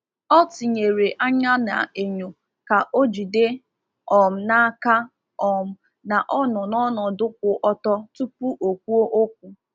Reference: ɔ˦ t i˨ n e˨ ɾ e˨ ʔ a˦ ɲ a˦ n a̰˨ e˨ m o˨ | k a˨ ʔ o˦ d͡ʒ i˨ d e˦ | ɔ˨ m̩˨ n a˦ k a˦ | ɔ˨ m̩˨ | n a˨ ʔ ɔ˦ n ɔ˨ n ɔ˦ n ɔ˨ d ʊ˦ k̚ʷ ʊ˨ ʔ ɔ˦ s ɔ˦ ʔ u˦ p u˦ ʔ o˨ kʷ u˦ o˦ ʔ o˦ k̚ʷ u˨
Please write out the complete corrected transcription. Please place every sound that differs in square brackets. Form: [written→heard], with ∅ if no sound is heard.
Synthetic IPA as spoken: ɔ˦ t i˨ [n→ɲ] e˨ ɾ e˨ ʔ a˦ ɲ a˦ n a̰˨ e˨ [m→ɲ] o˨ | k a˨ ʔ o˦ d͡ʒ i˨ d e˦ | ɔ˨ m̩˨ n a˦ k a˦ | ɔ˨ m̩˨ | n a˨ ʔ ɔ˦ n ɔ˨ n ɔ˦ n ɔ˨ d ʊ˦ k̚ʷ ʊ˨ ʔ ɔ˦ [s→t] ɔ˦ [ʔ→t] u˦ p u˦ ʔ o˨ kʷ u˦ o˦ ʔ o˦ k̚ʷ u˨